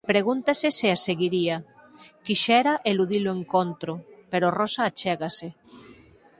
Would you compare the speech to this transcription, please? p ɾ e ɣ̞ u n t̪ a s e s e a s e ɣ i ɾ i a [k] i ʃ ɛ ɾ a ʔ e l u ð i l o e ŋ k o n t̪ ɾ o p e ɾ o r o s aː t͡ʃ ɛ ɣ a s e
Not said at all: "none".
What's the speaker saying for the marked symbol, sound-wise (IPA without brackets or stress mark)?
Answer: k